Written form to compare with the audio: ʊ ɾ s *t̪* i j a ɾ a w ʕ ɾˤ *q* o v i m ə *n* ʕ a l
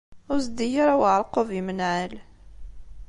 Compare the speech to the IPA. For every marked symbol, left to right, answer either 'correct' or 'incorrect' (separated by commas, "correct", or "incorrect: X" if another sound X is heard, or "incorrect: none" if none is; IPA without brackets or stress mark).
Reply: incorrect: d̪, correct, correct